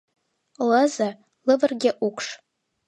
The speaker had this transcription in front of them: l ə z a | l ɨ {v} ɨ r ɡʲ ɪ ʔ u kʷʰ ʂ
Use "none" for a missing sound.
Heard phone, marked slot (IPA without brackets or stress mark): v